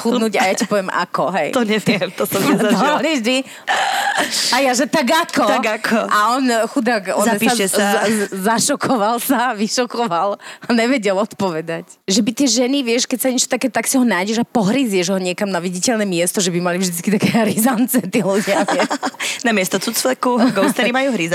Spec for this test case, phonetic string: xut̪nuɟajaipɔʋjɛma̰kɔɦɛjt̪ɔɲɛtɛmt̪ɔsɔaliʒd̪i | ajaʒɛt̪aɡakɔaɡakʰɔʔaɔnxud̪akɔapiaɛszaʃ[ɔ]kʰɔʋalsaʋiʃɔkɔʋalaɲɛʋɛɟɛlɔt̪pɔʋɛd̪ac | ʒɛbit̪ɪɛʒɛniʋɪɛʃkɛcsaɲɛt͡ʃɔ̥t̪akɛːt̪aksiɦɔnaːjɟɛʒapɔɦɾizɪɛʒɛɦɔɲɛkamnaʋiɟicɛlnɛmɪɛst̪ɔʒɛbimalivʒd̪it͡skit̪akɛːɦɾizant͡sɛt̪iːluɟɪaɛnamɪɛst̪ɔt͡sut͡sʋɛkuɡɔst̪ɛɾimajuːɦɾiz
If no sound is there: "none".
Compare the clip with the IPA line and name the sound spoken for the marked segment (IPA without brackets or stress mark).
ɔ